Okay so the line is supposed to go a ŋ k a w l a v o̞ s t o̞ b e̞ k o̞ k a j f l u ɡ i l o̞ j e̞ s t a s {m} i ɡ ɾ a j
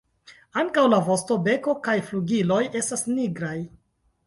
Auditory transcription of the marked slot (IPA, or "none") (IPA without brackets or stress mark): n